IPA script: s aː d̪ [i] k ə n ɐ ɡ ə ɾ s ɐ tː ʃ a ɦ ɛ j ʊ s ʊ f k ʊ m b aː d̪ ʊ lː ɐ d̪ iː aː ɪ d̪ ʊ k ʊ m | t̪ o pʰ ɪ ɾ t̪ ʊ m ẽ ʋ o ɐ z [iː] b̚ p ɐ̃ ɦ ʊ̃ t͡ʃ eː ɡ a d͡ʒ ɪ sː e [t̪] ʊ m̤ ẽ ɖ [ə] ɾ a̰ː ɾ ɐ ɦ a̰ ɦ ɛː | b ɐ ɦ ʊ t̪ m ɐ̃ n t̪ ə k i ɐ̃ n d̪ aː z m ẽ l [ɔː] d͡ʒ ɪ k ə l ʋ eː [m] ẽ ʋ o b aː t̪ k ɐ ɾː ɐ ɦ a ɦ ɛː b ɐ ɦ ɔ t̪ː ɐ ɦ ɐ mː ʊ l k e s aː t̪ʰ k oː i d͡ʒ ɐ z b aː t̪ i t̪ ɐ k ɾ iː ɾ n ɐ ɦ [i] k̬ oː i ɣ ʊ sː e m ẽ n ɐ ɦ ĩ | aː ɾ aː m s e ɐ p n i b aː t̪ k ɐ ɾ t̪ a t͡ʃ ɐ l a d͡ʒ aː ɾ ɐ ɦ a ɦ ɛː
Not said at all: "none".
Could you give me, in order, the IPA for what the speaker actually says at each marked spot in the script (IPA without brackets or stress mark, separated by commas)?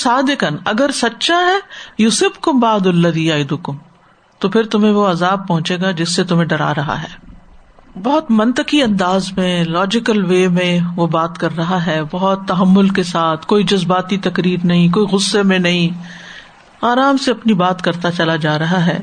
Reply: ɪ, aː, t̪, ɐ, ɔː, m, ĩ